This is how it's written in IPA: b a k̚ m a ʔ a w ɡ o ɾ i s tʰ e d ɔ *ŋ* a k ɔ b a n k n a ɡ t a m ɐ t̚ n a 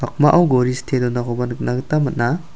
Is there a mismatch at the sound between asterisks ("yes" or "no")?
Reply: yes